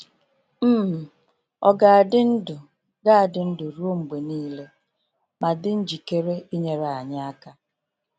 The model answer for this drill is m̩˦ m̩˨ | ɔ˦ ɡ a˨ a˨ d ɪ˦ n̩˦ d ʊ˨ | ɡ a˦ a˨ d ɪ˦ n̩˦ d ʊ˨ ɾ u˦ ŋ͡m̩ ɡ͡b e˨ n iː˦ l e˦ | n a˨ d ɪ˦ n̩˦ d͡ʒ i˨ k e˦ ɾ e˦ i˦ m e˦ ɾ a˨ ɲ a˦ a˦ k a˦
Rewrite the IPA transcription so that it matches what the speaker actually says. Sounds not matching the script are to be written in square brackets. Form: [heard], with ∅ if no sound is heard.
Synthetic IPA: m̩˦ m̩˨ | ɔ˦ ɡ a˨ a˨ d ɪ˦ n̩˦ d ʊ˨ | ɡ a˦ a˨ d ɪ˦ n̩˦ d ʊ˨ ɾ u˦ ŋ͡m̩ ɡ͡b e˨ n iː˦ l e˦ | [m] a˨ d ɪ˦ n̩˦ d͡ʒ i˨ k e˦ ɾ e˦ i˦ [ɲ] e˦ ɾ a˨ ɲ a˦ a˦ k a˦